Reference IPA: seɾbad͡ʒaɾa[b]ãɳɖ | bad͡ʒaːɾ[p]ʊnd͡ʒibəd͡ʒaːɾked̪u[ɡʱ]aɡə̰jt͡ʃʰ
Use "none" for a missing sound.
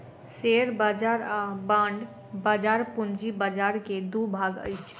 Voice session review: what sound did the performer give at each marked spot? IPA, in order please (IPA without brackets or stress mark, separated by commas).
b, p, bʱ